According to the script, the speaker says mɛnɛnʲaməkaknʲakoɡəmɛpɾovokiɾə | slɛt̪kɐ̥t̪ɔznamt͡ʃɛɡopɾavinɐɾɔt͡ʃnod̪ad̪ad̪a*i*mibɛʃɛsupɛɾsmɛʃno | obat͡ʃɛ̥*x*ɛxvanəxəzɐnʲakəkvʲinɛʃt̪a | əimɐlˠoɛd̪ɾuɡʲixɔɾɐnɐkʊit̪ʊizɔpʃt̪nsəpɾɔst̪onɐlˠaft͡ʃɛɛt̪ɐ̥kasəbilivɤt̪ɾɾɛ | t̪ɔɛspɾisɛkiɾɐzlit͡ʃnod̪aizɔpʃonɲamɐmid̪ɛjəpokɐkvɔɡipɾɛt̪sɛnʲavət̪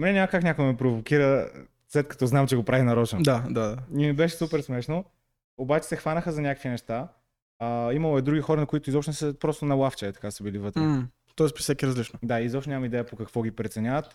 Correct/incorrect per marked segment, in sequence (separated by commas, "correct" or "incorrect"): correct, incorrect